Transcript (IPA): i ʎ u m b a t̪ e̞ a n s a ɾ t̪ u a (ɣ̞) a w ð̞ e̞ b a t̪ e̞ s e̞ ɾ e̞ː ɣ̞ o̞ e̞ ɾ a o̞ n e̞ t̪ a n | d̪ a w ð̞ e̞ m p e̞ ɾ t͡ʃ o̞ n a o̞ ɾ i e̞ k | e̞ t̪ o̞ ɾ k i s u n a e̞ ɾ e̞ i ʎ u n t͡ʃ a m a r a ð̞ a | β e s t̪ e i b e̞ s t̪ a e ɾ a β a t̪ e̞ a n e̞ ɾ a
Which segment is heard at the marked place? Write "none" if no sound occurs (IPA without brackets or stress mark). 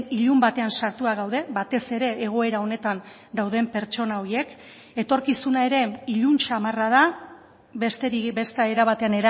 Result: ɣ̞